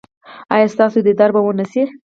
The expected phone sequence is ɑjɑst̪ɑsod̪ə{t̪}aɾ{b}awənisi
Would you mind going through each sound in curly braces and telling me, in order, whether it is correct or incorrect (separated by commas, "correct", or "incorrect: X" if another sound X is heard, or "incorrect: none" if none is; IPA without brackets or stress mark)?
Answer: incorrect: d̪, correct